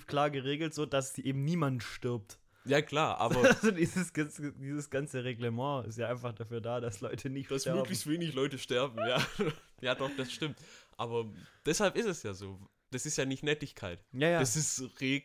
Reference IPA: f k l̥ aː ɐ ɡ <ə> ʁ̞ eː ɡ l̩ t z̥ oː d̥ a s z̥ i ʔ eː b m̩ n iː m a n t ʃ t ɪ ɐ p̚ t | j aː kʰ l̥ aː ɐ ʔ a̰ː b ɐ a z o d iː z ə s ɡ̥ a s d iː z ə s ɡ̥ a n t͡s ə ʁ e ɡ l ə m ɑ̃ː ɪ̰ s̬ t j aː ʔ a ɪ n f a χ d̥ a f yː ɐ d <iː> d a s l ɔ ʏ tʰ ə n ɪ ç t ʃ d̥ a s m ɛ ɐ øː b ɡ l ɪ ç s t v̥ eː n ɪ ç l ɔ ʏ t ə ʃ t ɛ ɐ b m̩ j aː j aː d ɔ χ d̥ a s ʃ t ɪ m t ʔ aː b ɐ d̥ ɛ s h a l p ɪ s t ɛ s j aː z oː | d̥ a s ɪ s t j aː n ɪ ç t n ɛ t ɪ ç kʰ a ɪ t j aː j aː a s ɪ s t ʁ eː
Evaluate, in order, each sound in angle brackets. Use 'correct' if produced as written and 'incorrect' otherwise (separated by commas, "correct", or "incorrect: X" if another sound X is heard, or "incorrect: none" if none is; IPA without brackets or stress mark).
correct, incorrect: aː